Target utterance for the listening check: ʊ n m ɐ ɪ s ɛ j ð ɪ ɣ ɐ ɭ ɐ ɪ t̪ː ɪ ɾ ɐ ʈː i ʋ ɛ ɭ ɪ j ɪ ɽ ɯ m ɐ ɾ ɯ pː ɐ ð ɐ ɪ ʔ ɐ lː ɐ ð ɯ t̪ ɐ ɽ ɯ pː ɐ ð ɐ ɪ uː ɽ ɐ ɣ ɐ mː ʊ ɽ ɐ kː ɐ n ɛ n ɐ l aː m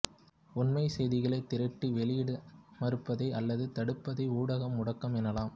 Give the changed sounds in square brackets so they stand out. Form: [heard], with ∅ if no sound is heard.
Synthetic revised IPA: ʊ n m ɐ ɪ s ɛ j ð ɪ ɣ ɐ ɭ ɐ ɪ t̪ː ɪ ɾ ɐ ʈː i ʋ ɛ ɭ ɪ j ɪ ɽ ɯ m ɐ ɾ ɯ pː ɐ ð ɐ ɪ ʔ ɐ lː ɐ ð ɯ t̪ ɐ ɽ ɯ pː ɐ ð ɐ ɪ uː ɽ ɐ ɣ ɐ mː ʊ ɽ ɐ kː ɐ [m] ɛ n ɐ l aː m